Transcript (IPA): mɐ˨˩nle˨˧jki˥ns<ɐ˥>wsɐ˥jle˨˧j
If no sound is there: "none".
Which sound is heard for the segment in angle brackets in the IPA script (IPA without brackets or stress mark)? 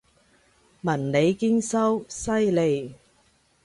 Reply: ɐ˥